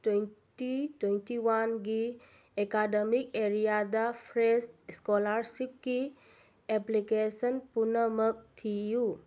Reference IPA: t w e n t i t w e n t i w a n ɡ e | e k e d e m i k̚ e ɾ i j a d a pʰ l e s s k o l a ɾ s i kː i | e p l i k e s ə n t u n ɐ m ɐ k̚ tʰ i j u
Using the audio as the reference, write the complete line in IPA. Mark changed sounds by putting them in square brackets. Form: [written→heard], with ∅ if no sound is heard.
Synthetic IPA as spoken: t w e n t i t w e n t i w a n ɡ [e→i] | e k [e→a] d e m i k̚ e ɾ i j a d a pʰ [l→ɾ] e s s k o l a ɾ s i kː i | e p l i k e s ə n [t→p] u n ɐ m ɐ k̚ tʰ i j u